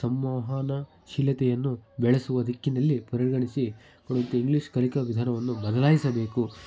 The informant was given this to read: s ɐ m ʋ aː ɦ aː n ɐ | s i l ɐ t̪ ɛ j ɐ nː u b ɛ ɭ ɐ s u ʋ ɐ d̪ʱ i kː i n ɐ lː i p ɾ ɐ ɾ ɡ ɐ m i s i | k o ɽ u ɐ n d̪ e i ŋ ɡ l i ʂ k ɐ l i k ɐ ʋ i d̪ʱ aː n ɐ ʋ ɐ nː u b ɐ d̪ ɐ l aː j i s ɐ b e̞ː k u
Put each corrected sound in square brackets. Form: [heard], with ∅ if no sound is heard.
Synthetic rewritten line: s ɐ m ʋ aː ɦ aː n ɐ | [ʃ] i l ɐ t̪ ɛ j ɐ nː u b ɛ ɭ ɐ s u ʋ ɐ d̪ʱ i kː i n ɐ lː i p ɾ ɐ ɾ ɡ ɐ [ɳ] i s i | k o ɽ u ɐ n [t̪] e i ŋ ɡ l i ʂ k ɐ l i k ɐ ʋ i d̪ʱ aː n ɐ ʋ ɐ nː u b ɐ d̪ ɐ l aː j i s ɐ b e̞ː k u